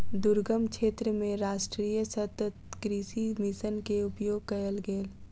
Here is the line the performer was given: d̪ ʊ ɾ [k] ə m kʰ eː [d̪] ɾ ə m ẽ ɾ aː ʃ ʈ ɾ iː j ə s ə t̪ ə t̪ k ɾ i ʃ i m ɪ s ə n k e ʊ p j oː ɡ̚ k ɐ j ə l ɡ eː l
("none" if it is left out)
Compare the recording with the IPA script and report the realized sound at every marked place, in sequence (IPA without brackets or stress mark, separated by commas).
ɡ, t̪